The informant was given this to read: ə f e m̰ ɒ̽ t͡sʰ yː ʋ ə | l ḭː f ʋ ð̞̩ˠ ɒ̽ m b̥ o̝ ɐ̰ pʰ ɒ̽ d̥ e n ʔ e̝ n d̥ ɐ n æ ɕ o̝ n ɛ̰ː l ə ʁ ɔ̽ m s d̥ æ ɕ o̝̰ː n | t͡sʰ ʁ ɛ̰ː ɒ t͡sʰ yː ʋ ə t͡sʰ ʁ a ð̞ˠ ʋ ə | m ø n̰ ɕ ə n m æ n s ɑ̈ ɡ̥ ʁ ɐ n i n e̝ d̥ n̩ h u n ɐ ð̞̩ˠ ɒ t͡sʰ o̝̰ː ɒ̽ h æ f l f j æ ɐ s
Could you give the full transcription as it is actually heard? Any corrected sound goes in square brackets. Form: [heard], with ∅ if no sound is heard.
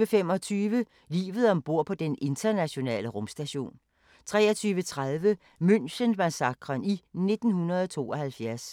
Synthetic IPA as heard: ə f e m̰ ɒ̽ t͡sʰ yː ʋ ə | l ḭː [∅] ʋ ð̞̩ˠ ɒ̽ m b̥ o̝ ɐ̰ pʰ ɒ̽ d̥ e n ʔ e̝ n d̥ ɐ n æ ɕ o̝ n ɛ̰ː l ə ʁ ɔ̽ m s d̥ æ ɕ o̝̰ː n | t͡sʰ ʁ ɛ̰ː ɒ t͡sʰ yː ʋ ə t͡sʰ ʁ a ð̞ˠ ʋ ə | m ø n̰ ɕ ə n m æ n s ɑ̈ ɡ̥ ʁ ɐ n i n e̝ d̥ n̩ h u n ɐ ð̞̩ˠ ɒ t͡sʰ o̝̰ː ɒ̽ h æ [∅] l f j æ ɐ s